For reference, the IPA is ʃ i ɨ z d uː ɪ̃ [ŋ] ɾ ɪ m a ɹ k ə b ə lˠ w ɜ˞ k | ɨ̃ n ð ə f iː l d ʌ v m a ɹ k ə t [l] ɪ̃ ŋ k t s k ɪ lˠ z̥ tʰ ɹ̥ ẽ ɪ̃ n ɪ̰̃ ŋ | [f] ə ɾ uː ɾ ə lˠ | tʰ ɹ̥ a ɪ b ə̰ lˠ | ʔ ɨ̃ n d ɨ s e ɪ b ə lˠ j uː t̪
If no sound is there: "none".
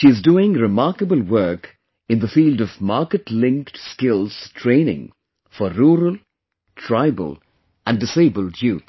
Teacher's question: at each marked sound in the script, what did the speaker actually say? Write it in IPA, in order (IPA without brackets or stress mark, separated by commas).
ŋ, l, f